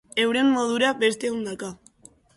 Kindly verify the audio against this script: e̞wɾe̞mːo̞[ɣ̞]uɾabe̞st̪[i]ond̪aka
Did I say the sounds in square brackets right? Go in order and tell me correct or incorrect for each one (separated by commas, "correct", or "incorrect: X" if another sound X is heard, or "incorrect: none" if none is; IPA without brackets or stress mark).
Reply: incorrect: ð̞, incorrect: e